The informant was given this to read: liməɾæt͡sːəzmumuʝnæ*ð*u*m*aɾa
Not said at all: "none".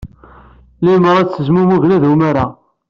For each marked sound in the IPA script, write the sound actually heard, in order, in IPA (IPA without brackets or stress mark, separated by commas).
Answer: ð, m